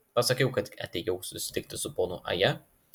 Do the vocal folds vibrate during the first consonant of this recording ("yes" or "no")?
no